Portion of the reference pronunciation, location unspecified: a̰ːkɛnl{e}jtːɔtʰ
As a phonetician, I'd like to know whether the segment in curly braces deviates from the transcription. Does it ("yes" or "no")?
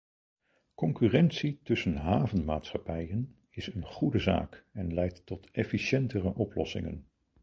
yes